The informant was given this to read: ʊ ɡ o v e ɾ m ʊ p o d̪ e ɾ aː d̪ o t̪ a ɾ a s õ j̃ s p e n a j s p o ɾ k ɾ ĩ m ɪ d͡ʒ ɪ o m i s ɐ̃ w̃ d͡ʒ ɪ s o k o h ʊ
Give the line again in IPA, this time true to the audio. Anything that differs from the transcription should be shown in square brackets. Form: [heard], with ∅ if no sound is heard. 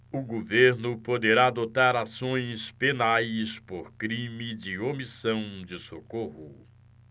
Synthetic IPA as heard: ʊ ɡ o v e ɾ [n] ʊ p o d̪ e ɾ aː d̪ o t̪ a ɾ a s õ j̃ s p e n a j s p o ɾ k ɾ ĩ m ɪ d͡ʒ ɪ o m i s ɐ̃ w̃ d͡ʒ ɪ s o k o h ʊ